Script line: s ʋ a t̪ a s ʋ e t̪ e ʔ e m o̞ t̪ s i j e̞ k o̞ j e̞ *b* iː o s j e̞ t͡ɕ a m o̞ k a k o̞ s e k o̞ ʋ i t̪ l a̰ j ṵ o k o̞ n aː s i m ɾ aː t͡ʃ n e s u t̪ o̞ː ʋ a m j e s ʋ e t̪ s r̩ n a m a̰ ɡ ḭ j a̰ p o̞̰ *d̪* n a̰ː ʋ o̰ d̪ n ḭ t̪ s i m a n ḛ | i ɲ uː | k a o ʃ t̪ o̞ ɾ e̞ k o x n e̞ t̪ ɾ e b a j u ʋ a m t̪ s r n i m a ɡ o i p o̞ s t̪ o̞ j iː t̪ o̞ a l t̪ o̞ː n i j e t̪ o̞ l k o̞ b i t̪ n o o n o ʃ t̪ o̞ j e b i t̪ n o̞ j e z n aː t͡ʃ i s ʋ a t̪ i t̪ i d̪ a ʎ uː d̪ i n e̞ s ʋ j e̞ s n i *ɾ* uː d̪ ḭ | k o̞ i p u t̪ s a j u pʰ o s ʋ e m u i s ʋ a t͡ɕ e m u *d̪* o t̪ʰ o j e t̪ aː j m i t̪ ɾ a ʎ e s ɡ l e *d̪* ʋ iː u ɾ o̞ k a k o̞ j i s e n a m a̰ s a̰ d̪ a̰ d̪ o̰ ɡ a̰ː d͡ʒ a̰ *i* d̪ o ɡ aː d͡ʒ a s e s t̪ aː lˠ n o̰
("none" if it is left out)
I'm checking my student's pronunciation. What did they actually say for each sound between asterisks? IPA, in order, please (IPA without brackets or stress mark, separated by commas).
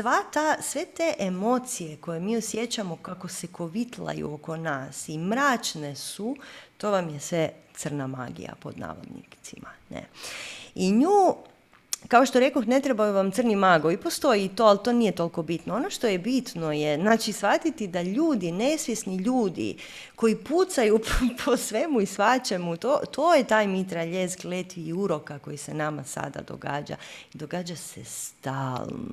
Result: m, d̪, ʎ, t̪, t̪, i